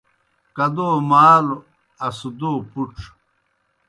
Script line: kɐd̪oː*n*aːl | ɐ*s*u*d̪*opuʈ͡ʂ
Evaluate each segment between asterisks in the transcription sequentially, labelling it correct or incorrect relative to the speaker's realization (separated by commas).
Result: incorrect, correct, correct